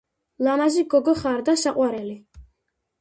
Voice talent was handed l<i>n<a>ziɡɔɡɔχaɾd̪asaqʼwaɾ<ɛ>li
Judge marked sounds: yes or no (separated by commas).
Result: no, yes, yes